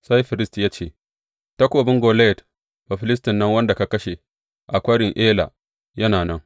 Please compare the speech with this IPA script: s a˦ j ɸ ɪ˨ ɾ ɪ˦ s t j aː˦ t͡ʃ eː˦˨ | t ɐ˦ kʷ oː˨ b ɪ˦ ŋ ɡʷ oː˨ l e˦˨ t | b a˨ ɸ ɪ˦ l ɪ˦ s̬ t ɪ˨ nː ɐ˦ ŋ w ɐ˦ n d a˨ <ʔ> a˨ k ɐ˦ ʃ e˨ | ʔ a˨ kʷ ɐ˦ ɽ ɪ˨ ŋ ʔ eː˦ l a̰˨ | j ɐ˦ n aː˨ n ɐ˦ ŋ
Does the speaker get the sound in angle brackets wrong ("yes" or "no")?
yes